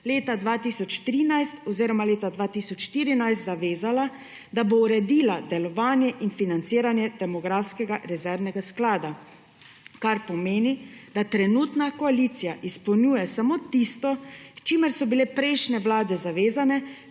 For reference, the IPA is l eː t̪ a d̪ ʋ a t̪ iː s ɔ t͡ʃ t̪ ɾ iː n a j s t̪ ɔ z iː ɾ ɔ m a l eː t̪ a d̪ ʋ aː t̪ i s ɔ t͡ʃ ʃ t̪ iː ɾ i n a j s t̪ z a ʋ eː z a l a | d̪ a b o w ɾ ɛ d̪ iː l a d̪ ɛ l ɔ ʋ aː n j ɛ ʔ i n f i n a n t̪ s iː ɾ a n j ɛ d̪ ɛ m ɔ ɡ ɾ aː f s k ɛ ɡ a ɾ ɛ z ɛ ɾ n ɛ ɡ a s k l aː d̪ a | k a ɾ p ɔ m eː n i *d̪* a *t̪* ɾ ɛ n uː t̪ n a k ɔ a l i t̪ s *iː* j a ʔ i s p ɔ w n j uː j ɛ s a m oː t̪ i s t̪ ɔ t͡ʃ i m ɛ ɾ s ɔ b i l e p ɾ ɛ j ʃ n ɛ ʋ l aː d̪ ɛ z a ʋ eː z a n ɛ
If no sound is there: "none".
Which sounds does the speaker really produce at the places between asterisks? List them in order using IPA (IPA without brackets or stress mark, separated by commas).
d̪, t̪, i